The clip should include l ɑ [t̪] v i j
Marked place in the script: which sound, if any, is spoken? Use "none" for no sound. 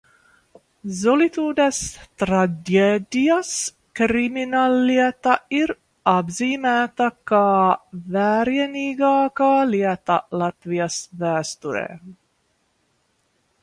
t̪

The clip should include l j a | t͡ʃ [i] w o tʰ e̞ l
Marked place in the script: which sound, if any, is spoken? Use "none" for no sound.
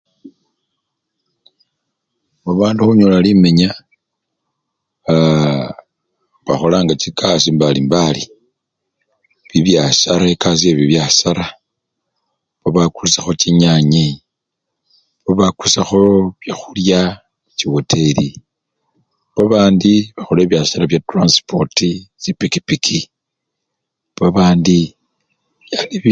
i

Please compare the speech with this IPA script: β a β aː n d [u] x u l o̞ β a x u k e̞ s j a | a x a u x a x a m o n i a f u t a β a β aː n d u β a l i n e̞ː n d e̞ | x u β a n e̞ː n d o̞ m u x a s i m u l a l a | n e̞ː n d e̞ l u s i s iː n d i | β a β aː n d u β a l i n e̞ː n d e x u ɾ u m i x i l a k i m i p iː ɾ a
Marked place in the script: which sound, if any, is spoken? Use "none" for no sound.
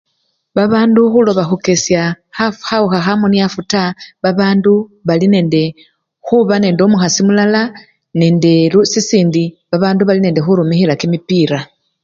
u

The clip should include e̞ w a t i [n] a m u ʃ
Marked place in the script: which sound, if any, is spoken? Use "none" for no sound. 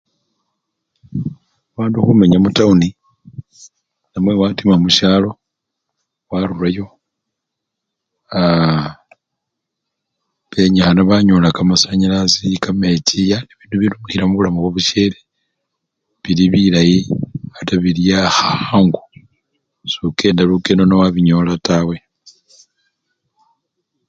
m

